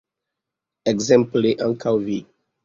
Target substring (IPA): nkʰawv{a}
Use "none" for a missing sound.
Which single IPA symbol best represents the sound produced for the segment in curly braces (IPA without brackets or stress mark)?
i